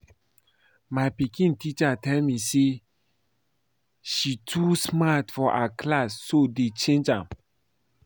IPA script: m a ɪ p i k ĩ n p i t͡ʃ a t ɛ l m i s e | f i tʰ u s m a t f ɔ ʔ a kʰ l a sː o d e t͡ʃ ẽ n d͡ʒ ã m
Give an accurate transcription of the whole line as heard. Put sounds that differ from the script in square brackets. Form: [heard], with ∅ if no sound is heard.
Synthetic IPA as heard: m a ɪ p i k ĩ n [t] i t͡ʃ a t ɛ l m i s e | [ʃ] i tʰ u s m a t f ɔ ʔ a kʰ l a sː o d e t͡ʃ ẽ n d͡ʒ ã m

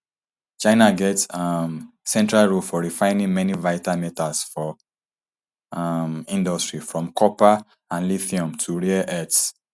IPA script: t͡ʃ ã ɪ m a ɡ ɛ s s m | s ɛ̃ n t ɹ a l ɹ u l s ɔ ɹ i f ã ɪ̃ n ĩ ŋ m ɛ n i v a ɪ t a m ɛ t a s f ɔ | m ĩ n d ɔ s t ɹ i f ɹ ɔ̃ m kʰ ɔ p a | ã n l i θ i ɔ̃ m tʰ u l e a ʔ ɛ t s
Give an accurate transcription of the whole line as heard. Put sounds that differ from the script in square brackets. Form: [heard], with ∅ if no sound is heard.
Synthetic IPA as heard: t͡ʃ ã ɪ [n] a ɡ ɛ [t] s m | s ɛ̃ n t ɹ a l ɹ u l [f] ɔ ɹ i f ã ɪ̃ n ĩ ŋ m ɛ n i v a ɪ t a m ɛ t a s f ɔ | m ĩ n d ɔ s t ɹ i f ɹ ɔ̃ m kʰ ɔ p a | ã n l i θ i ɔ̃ m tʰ u [ɹ] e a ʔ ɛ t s

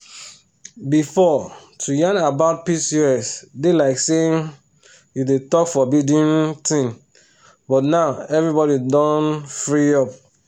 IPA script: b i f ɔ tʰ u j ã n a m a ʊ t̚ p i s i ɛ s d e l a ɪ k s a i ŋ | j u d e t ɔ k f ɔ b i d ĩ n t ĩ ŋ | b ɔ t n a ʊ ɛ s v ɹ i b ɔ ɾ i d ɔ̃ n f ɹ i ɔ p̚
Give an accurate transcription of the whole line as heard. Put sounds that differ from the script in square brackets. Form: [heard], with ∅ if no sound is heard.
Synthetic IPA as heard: b i f ɔ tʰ u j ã n a [b] a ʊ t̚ p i s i ɛ s d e l a ɪ k s [e] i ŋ | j u d e t ɔ k f ɔ b i d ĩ n t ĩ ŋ | b ɔ t n a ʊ ɛ [∅] v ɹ i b ɔ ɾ i d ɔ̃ n f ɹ i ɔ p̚

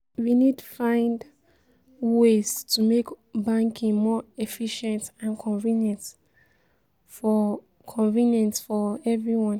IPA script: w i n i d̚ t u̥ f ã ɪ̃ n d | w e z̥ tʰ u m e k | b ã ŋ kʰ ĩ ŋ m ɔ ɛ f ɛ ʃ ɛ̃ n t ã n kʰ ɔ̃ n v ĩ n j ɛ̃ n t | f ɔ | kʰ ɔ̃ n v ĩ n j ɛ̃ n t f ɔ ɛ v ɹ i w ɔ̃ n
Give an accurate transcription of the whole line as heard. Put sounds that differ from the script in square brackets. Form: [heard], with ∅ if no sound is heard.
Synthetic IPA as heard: w i n i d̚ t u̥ f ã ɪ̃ n d | w e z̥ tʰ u m e k | b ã ŋ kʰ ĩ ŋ m ɔ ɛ f [i] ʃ ɛ̃ n t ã n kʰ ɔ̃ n v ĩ n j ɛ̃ n t | f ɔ | kʰ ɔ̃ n v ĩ n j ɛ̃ n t f ɔ ɛ v ɹ i w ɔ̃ n

